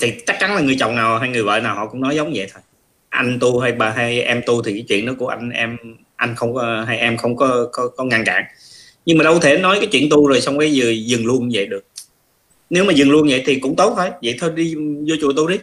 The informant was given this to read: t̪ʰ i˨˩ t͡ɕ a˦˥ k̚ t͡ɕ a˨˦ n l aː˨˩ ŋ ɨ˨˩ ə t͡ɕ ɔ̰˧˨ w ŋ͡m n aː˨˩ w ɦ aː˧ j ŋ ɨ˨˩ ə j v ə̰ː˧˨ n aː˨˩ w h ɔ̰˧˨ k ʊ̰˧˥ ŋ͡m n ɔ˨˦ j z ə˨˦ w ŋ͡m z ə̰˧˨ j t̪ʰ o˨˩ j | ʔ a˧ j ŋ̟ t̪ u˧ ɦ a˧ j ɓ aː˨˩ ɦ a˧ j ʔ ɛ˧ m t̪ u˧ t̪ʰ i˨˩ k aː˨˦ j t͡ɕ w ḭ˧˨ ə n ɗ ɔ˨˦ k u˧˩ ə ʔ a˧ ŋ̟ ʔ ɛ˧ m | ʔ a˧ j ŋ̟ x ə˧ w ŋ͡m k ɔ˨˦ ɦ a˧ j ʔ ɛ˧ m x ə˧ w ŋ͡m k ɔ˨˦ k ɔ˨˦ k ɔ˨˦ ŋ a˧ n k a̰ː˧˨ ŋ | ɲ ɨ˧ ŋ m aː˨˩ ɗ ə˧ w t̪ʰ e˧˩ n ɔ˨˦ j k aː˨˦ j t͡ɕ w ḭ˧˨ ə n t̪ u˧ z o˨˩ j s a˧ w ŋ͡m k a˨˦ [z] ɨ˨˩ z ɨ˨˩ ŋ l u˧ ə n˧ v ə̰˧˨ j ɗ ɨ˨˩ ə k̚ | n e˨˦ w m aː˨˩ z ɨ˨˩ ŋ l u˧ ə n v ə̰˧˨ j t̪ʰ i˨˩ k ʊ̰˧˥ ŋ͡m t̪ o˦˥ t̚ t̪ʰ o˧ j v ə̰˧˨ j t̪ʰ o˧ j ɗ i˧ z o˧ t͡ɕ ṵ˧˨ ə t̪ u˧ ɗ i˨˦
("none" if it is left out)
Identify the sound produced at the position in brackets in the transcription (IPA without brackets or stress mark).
z